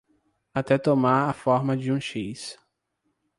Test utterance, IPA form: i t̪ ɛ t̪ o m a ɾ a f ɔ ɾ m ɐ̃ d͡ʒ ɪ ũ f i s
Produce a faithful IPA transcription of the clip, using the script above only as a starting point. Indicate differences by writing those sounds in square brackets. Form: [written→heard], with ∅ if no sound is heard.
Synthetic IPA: [i→a] t̪ ɛ t̪ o m a ɾ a f ɔ ɾ m [ɐ̃→ɐ] d͡ʒ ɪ ũ [f→ʃ] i s